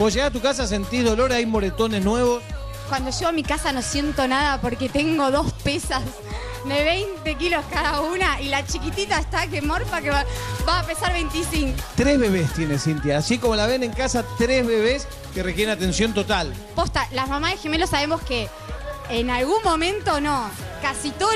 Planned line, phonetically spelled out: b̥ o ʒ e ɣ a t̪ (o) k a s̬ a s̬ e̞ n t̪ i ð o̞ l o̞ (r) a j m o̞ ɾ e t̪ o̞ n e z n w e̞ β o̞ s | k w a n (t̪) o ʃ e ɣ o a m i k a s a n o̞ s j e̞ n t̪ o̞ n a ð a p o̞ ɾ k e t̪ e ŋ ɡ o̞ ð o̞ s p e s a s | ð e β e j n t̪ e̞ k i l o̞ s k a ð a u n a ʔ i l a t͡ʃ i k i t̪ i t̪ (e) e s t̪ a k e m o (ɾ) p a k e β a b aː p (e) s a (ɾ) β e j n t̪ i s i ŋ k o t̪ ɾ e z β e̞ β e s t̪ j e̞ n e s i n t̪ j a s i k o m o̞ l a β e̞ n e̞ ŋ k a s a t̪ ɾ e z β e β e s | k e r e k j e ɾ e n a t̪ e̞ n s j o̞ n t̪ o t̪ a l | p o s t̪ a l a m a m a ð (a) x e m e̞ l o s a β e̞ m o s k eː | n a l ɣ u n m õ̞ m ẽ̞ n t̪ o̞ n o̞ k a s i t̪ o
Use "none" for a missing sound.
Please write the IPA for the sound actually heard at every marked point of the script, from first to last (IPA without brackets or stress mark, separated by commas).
u, ɾ, d̪, a, ɾ, e, ɾ, e